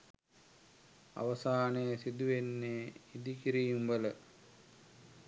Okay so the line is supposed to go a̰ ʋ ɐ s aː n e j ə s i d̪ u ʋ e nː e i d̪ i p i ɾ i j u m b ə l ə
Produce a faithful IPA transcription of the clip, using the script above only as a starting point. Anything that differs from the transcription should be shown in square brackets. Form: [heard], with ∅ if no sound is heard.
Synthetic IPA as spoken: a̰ ʋ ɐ s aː n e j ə s i d̪ u ʋ e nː e i d̪ i [k] i ɾ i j u m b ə l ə